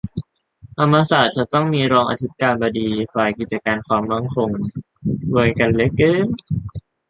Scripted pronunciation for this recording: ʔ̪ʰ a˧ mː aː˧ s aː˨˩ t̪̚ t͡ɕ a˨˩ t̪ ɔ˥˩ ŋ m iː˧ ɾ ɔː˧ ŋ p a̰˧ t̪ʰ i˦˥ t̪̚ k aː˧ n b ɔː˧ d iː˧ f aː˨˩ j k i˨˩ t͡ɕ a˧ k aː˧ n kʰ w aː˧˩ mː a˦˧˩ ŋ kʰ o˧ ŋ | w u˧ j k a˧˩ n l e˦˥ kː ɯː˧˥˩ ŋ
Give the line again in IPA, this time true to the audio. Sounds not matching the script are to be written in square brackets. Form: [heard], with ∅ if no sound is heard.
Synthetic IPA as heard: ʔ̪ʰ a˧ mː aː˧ s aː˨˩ t̪̚ t͡ɕ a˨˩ t̪ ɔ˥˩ ŋ m iː˧ ɾ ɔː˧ ŋ [ʔ] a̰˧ t̪ʰ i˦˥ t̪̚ k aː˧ n b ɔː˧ d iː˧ f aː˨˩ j k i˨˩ t͡ɕ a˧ k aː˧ n kʰ w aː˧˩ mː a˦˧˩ ŋ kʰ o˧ ŋ | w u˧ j k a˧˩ n l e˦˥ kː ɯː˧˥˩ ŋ